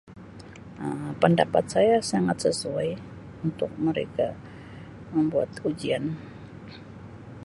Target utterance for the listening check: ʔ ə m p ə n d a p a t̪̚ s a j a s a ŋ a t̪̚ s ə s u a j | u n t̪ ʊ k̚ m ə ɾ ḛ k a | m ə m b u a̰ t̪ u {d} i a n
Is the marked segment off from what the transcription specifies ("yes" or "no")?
yes